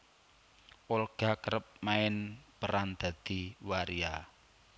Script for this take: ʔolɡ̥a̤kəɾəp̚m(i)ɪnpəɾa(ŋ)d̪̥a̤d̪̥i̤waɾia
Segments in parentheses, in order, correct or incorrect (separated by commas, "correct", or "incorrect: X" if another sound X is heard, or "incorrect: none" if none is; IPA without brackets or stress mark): incorrect: a, incorrect: n